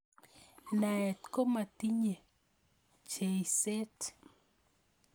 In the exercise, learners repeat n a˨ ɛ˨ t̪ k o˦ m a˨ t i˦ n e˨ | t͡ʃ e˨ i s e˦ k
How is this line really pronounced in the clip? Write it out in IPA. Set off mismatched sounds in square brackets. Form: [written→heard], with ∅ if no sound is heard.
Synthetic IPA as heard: n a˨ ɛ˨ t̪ k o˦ m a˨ t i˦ [n→ɲ] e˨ | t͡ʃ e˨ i s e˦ [k→t]